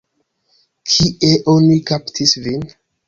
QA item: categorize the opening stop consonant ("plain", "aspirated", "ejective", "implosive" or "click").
aspirated